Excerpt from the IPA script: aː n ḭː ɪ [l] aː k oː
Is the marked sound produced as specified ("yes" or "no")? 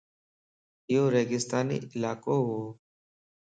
yes